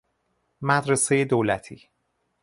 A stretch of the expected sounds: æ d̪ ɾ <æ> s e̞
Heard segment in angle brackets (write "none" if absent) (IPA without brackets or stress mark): e